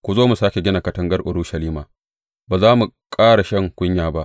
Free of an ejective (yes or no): no